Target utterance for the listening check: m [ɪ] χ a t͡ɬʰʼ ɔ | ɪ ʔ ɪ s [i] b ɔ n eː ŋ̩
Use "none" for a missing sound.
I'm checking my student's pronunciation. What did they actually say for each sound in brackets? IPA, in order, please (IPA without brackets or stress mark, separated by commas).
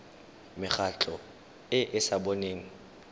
ɪ, a